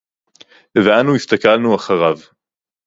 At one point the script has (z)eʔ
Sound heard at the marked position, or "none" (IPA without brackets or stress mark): v